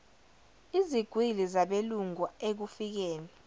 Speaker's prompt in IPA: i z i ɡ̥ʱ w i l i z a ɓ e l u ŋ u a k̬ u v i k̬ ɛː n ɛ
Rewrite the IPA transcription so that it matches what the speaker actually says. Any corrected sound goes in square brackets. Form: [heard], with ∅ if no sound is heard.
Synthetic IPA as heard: i z i ɡ̥ʱ w i l i z a ɓ e l u ŋ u [e] k̬ u [f] i k̬ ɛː n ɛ